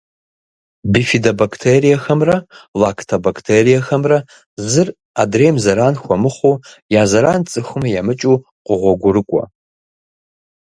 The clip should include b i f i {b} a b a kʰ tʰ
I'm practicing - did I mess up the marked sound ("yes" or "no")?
yes